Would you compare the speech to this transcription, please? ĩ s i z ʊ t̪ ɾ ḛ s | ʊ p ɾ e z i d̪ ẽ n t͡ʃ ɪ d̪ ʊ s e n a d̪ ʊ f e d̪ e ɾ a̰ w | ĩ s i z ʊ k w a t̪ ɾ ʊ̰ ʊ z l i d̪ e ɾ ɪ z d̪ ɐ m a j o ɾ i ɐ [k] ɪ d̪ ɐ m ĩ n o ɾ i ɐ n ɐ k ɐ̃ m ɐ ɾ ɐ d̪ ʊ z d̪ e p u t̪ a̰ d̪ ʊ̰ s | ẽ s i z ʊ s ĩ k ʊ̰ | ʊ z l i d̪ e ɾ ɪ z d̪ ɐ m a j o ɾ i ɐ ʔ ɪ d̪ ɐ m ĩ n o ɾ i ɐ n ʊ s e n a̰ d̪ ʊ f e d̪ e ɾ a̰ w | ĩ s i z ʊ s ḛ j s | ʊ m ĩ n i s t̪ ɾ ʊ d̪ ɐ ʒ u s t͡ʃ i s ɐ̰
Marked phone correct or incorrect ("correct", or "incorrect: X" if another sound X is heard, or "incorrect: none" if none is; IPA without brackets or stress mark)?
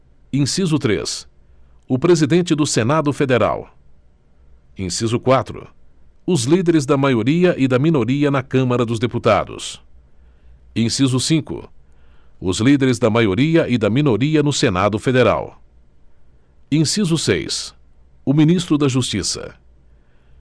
incorrect: ʔ